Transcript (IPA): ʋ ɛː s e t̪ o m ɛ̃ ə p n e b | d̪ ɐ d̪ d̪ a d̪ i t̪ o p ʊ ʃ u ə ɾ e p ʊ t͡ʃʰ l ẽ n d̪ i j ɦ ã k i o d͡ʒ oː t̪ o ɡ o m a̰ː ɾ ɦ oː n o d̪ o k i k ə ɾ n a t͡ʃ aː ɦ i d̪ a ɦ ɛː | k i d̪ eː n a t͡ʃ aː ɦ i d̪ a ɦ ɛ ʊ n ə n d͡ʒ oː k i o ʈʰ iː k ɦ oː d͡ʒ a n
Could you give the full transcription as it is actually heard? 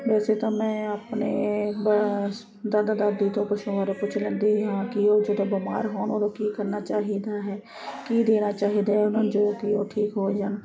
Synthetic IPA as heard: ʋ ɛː s e t̪ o m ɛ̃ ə p n e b | d̪ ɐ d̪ d̪ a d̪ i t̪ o p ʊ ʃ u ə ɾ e p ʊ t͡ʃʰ l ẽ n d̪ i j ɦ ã k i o d͡ʒ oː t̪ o b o m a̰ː ɾ ɦ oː n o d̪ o k i k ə ɾ n a t͡ʃ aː ɦ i d̪ a ɦ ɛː | k i d̪ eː n a t͡ʃ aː ɦ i d̪ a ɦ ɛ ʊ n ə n d͡ʒ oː k i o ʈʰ iː k ɦ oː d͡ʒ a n